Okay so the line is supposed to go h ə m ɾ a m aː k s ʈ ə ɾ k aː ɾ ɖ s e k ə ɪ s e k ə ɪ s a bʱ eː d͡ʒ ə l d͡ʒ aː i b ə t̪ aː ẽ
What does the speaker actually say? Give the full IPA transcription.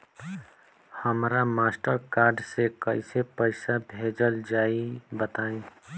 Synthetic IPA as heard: h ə m ɾ a m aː s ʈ ə ɾ k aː ɾ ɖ s e k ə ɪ s e p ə ɪ s a bʱ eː d͡ʒ ə l d͡ʒ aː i b ə t̪ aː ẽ